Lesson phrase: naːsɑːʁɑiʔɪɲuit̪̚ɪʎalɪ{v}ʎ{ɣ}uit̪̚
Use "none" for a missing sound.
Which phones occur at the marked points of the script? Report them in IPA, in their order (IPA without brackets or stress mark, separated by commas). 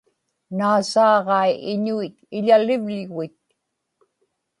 v, ɣ